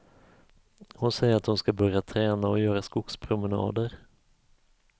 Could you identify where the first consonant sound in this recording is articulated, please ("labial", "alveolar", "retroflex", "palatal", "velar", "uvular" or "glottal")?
glottal